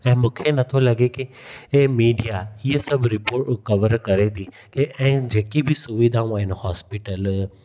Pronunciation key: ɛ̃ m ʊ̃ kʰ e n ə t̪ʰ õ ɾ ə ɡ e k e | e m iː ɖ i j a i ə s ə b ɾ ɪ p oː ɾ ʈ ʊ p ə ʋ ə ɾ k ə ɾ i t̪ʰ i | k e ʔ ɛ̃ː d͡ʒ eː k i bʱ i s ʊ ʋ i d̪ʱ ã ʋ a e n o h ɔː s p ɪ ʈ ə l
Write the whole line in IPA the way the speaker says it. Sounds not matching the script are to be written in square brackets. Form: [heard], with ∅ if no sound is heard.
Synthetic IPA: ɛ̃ m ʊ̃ kʰ e n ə t̪ʰ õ [l] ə ɡ e k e | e m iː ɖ i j a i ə s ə b ɾ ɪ p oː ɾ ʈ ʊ [k] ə ʋ ə ɾ k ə ɾ [e] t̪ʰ i | k e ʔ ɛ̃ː d͡ʒ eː k i bʱ i s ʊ ʋ i d̪ʱ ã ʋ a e n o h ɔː s p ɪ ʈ ə l

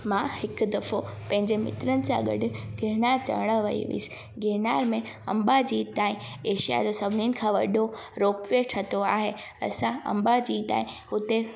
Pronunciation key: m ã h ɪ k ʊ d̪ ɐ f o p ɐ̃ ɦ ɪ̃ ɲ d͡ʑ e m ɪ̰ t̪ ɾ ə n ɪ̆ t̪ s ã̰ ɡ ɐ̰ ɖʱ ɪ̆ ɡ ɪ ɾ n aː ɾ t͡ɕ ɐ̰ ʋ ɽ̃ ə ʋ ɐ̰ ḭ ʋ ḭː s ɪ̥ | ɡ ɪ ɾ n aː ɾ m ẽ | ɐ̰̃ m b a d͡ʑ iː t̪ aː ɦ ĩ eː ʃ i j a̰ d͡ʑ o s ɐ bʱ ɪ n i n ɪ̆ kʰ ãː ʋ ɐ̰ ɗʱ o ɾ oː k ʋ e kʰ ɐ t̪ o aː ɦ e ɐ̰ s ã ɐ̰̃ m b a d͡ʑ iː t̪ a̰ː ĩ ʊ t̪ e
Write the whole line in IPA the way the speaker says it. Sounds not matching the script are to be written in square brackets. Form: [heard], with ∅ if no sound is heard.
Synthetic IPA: m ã h ɪ k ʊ d̪ ɐ f o p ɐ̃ ɦ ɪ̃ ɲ d͡ʑ e m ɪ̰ t̪ ɾ ə n ɪ̆ [∅] s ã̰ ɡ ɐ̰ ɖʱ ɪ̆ ɡ ɪ ɾ n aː ɾ t͡ɕ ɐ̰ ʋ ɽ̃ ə ʋ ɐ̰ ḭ ʋ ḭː s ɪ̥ | ɡ ɪ ɾ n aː ɾ m ẽ | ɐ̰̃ m b a d͡ʑ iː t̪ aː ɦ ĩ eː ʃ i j a̰ d͡ʑ o s ɐ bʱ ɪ n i n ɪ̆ kʰ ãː ʋ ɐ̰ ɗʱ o ɾ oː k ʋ e [ʈʰ] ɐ t̪ o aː ɦ e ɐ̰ s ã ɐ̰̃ m b a d͡ʑ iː t̪ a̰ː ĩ ʊ t̪ e

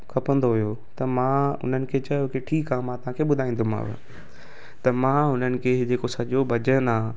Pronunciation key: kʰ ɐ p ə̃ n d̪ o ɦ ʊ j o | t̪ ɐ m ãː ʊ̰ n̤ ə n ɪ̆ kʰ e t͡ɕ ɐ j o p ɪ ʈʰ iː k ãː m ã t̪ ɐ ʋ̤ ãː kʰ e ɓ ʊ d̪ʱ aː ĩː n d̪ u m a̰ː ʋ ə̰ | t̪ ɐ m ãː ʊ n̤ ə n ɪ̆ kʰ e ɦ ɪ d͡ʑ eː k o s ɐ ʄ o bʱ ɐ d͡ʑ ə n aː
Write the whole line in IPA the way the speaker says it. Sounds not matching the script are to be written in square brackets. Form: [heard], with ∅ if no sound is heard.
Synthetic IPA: kʰ ɐ p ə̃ n d̪ o ɦ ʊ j o | t̪ ɐ m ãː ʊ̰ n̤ ə n ɪ̆ kʰ e t͡ɕ ɐ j o [k] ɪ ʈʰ iː k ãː m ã t̪ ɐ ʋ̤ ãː kʰ e ɓ ʊ d̪ʱ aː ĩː n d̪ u m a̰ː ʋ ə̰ | t̪ ɐ m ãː ʊ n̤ ə n ɪ̆ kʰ e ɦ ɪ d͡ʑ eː k o s ɐ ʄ o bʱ ɐ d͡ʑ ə n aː

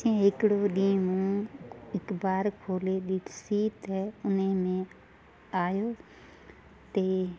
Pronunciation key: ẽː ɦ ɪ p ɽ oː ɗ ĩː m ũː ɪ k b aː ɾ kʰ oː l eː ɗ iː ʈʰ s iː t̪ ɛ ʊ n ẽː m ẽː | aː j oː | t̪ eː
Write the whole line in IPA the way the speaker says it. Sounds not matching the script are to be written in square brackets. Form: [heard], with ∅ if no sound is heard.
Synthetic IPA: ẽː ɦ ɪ [k] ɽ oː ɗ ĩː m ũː ɪ k b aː ɾ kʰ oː l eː ɗ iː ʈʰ s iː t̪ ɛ ʊ n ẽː m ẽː | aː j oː | t̪ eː

